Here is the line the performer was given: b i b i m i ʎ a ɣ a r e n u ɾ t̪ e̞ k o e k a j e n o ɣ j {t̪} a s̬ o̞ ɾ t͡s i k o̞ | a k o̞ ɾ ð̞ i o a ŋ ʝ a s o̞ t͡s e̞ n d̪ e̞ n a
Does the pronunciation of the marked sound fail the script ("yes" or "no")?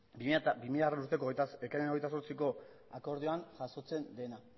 no